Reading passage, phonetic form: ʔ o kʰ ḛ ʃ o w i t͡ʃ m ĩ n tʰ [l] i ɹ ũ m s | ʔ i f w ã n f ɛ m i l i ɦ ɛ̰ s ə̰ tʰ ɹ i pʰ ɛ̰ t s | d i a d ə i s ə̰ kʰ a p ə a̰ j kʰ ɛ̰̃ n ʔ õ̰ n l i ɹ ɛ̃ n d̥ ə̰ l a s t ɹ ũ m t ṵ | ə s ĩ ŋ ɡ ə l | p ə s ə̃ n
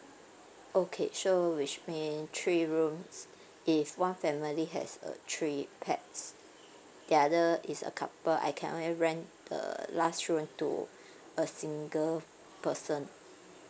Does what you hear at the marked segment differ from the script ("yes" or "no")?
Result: yes